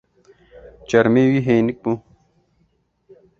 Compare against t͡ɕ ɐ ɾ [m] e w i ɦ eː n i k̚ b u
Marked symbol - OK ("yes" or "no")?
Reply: yes